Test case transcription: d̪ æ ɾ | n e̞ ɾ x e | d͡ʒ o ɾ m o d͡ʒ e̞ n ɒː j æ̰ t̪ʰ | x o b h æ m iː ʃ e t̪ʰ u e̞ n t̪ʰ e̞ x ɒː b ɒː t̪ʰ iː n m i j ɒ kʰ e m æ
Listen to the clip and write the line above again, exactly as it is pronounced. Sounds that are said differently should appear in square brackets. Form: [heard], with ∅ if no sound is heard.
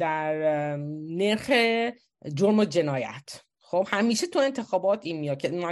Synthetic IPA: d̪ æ ɾ | n e̞ ɾ x e | d͡ʒ o ɾ m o d͡ʒ e̞ n ɒː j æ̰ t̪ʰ | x o b h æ m iː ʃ e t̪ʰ u e̞ n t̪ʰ e̞ x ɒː b ɒː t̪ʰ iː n m i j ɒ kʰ e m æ